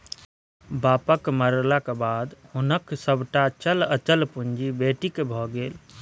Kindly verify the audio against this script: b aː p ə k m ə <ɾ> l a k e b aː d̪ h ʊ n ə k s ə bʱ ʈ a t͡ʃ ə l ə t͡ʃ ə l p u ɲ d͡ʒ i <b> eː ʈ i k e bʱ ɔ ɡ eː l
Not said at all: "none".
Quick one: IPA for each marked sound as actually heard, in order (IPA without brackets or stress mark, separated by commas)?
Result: ɾ, b